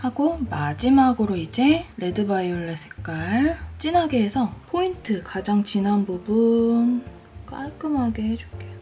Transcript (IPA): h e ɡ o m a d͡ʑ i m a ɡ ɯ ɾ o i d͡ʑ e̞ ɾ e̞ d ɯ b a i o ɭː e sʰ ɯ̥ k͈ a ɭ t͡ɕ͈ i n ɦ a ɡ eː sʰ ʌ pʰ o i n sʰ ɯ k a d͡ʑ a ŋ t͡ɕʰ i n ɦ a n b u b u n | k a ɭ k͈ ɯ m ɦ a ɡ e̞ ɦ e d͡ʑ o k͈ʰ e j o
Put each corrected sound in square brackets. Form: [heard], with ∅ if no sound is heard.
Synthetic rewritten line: h [a] ɡ o m a d͡ʑ i m a ɡ ɯ ɾ o i d͡ʑ e̞ ɾ e̞ d ɯ b a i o ɭː e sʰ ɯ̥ k͈ a ɭ t͡ɕ͈ i n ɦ a ɡ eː sʰ ʌ pʰ o i n [tʰ] ɯ k a d͡ʑ a ŋ [t͡ɕ] i n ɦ a n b u b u n | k a ɭ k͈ ɯ m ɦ a ɡ e̞ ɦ e d͡ʑ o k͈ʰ e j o